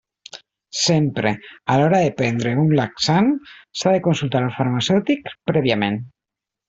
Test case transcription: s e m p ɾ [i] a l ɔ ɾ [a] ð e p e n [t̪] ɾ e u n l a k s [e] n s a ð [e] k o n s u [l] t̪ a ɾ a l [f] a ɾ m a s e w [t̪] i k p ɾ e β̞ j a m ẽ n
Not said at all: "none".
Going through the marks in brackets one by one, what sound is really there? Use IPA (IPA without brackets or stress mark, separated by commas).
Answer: e, a, d̪, a, e, l, f, t̪